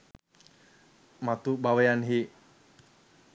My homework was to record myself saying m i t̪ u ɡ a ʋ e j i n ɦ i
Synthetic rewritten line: m a t̪ u b a w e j a n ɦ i